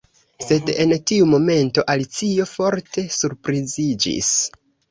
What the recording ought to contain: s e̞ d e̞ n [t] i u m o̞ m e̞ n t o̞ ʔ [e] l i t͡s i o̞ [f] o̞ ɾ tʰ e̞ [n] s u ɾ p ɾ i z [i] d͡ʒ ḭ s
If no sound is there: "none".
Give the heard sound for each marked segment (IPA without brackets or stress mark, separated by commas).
t, a, f, none, i